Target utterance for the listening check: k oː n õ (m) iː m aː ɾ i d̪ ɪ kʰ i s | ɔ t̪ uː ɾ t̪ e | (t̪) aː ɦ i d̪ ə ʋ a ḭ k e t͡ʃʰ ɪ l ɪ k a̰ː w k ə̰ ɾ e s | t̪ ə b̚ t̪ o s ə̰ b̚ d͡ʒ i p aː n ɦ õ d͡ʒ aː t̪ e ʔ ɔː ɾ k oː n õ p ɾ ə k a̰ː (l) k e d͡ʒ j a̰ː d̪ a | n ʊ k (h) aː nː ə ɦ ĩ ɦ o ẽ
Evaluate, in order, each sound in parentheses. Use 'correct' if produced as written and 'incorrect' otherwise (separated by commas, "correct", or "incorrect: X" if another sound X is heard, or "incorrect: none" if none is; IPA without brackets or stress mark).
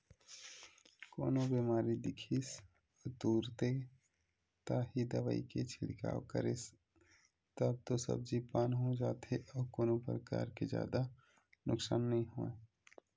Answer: incorrect: b, correct, incorrect: ɾ, incorrect: s